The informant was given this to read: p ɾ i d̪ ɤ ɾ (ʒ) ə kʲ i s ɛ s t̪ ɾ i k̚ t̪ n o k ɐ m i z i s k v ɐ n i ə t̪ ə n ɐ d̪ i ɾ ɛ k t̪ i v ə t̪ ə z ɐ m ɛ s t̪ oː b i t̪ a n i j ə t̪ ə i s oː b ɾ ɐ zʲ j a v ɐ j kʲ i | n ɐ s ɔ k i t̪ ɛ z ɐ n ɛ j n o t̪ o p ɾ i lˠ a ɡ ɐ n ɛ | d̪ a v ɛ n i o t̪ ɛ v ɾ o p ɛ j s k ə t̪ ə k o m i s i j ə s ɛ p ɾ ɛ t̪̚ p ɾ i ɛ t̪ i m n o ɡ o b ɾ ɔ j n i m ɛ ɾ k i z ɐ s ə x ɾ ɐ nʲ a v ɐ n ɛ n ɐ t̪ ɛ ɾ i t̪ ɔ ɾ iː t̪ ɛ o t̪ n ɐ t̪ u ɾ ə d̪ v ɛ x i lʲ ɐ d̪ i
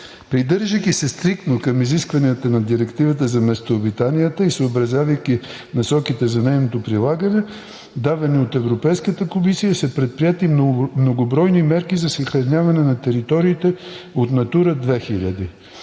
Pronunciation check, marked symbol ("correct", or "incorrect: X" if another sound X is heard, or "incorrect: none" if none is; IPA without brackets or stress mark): correct